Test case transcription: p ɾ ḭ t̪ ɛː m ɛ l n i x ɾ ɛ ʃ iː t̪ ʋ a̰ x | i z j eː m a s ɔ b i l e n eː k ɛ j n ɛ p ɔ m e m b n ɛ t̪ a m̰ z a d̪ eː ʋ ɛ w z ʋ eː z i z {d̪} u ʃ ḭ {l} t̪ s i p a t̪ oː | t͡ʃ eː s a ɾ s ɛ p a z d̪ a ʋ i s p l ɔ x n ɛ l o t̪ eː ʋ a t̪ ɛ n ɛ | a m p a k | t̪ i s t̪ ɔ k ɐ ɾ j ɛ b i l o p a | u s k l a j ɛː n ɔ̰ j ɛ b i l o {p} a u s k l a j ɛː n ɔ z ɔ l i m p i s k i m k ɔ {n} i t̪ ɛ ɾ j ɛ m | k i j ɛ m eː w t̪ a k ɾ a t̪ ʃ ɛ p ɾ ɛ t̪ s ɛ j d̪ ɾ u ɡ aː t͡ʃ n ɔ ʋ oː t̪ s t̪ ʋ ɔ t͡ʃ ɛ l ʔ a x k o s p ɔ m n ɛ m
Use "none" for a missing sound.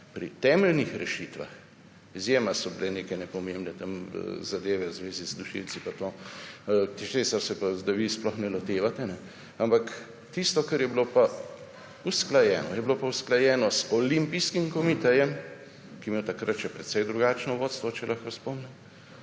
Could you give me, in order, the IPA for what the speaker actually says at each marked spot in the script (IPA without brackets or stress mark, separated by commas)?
d̪, l, p, m